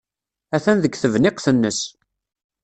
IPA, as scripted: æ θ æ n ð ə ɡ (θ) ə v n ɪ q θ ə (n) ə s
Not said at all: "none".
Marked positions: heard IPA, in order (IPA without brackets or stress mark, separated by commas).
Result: θ, nː